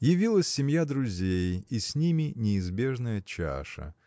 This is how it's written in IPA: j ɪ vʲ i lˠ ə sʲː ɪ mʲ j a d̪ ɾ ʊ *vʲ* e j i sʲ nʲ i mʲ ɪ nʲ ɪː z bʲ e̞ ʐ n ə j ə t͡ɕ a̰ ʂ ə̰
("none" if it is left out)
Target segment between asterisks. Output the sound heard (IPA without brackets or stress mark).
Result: zʲ